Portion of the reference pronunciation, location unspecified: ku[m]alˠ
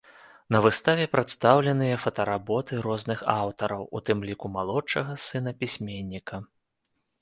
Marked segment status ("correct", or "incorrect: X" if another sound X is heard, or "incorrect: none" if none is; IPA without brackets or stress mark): correct